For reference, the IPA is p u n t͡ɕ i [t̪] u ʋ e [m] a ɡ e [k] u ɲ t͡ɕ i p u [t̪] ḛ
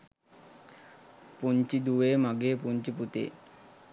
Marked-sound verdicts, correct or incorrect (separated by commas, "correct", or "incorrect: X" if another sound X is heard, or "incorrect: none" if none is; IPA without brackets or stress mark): incorrect: d̪, correct, incorrect: p, correct